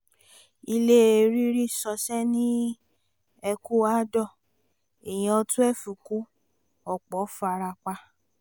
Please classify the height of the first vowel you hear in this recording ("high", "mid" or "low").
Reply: high